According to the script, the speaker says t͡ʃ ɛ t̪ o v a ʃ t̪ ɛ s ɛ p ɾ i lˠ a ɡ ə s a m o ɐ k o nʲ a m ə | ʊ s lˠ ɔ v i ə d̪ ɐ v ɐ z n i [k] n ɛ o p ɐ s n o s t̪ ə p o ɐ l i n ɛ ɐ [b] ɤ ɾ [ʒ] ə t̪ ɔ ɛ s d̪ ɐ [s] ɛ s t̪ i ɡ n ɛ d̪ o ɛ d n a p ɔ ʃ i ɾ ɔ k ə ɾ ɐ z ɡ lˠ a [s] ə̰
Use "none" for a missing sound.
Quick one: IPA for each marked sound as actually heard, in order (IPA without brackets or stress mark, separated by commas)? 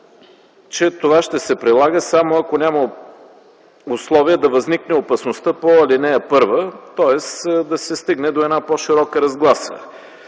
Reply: k, p, v, s, s